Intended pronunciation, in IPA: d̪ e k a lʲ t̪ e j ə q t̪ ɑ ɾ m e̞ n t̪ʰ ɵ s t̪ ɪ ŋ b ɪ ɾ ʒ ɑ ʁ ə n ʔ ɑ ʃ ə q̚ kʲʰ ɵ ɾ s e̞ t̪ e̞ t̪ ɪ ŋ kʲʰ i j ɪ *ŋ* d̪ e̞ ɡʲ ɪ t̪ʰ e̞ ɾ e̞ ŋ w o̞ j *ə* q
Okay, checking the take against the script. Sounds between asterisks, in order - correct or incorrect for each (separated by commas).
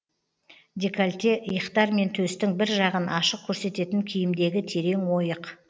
incorrect, correct